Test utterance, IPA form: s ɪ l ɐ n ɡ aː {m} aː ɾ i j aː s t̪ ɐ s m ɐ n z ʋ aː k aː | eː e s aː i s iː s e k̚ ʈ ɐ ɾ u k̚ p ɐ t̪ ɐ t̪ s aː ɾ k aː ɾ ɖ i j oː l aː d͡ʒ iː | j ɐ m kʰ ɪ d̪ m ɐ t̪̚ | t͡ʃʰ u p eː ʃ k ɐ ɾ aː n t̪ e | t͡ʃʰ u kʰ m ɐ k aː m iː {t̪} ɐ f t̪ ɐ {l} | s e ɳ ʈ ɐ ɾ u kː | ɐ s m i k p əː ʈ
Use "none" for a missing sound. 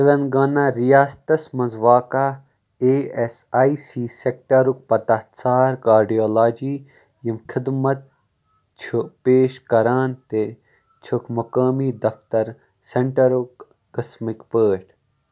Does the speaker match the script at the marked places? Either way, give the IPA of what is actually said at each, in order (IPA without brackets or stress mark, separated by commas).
n, d̪, ɾ